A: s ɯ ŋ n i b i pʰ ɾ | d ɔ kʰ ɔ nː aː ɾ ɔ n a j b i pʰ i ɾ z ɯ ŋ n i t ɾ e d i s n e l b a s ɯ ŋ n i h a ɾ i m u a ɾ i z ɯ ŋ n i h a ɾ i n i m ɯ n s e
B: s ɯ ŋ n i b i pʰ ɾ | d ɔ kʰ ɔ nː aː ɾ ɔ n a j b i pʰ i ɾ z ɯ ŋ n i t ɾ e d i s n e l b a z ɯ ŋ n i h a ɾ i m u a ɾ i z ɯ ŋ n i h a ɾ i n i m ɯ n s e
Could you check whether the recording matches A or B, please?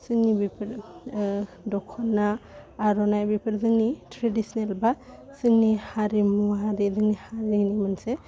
A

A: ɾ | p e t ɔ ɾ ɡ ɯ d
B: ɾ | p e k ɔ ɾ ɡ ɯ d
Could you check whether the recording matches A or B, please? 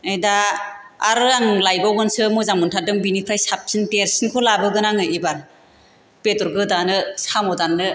A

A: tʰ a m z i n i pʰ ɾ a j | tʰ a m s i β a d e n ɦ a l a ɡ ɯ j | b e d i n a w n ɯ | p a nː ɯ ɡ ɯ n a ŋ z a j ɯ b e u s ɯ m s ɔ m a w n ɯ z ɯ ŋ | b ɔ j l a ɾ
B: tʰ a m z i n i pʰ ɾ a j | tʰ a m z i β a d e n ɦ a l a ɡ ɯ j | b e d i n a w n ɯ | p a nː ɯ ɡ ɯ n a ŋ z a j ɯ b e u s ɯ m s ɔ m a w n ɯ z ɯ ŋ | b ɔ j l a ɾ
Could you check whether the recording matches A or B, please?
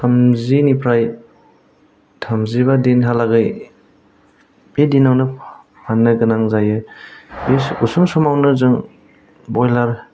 B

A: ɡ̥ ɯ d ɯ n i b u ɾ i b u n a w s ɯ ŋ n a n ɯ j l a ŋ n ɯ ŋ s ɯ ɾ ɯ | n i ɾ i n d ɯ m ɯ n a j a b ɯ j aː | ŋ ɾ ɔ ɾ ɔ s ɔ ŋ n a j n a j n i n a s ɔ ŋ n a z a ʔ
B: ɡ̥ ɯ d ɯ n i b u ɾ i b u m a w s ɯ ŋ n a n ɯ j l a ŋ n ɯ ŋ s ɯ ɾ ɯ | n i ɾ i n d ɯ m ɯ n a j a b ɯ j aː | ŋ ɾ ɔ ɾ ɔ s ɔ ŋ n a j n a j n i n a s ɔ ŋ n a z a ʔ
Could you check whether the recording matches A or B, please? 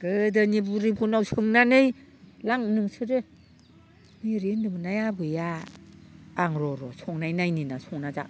A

